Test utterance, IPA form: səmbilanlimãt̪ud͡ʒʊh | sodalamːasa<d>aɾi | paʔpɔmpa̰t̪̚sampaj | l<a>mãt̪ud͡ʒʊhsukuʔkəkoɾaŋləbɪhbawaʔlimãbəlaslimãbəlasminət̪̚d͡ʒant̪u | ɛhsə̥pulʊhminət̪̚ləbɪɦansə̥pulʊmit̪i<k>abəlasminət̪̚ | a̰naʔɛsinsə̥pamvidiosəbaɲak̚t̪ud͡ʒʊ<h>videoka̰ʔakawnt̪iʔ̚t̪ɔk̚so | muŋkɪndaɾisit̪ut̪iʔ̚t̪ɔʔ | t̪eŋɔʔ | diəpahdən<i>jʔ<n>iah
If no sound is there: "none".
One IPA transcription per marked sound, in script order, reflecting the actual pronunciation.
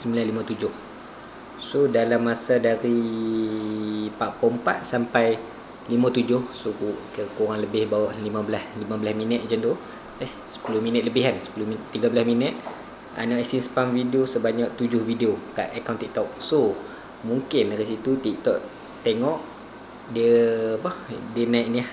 d, i, ɡ, h, a, n

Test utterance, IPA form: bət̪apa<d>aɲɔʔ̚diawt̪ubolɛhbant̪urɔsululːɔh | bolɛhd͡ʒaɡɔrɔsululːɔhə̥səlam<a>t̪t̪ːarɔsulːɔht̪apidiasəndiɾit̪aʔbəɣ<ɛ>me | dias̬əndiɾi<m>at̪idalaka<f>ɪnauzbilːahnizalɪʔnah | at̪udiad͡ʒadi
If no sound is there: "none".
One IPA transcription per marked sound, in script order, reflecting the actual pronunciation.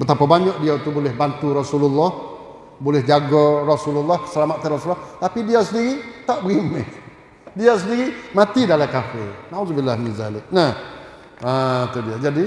b, a, i, m, f

